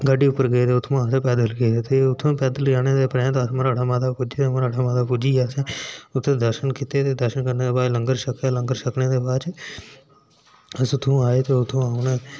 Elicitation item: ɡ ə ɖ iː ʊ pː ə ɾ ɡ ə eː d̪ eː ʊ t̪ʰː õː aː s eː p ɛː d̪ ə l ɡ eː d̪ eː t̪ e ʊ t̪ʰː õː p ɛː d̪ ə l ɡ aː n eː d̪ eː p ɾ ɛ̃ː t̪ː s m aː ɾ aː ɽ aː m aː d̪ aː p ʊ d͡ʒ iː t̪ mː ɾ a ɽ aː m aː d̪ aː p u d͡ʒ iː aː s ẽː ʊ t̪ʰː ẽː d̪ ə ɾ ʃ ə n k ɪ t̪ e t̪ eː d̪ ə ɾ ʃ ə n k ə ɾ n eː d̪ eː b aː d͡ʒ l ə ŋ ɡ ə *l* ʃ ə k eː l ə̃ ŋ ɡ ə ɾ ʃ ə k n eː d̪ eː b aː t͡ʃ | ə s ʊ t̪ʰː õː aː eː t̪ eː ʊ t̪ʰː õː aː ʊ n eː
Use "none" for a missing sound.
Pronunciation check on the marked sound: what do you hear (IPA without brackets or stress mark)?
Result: ɾ